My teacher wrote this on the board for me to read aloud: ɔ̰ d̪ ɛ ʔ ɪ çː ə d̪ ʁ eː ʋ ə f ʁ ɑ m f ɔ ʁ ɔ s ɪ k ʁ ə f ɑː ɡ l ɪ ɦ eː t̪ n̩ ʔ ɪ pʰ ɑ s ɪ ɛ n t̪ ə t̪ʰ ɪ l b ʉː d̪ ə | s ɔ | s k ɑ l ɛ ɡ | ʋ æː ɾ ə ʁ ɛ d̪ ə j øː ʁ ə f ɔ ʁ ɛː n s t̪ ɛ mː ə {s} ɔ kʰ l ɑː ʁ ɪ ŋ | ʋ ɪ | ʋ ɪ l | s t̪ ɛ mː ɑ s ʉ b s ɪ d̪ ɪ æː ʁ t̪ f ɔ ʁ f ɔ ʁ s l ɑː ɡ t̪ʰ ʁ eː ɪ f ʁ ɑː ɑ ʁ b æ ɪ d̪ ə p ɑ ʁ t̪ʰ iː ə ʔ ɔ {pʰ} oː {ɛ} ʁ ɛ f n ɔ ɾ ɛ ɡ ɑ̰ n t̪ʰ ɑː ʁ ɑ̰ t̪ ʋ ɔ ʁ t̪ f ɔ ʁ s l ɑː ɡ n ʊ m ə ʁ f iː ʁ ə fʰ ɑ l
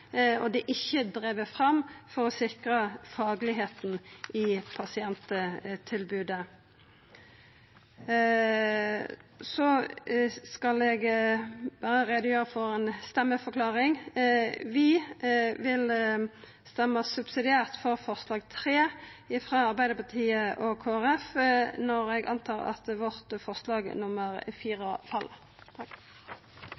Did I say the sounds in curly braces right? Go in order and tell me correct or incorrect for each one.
incorrect: f, incorrect: kʰ, incorrect: æ

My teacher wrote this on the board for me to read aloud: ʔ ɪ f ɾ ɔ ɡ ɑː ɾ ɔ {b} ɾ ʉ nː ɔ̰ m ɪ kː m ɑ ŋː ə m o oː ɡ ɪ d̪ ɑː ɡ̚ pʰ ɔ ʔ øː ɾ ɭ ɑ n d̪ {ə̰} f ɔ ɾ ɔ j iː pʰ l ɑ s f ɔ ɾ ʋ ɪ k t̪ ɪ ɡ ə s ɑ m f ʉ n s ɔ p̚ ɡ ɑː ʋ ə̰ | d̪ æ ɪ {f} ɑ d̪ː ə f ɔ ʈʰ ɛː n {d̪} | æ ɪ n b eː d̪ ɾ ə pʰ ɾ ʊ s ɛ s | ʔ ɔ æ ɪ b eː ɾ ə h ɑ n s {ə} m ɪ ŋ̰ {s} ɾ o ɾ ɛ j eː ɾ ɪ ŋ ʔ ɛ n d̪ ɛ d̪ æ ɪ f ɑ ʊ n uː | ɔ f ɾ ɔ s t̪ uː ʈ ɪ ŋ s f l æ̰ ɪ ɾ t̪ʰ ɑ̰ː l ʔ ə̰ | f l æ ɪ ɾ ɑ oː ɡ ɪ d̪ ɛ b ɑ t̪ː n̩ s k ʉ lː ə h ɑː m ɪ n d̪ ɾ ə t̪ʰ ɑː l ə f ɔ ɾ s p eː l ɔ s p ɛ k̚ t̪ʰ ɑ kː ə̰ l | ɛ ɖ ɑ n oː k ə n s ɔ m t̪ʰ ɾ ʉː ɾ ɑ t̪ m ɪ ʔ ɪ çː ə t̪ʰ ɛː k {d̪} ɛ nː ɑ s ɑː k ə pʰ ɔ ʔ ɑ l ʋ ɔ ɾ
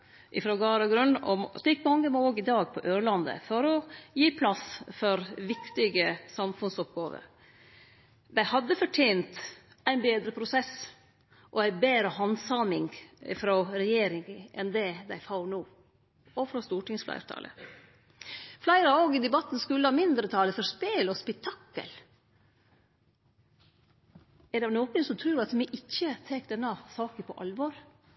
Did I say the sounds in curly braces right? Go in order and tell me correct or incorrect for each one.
incorrect: ɡ, correct, incorrect: h, incorrect: t̪, incorrect: ɑ, incorrect: f, correct

